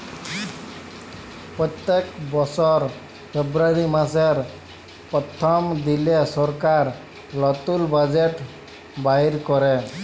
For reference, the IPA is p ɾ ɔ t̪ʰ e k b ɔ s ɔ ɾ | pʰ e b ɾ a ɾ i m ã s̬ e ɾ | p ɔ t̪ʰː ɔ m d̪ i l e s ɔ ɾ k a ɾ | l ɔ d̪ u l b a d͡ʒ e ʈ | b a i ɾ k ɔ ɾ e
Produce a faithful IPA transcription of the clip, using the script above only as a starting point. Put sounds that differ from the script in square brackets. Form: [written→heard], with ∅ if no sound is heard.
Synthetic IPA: p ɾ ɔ [t̪ʰ→t̪] e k b ɔ s ɔ ɾ | pʰ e b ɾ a ɾ i m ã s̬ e ɾ | p ɔ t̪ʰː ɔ m d̪ i l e s ɔ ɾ k a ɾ | l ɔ [d̪→t̪] u l b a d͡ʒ e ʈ | b a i ɾ k ɔ ɾ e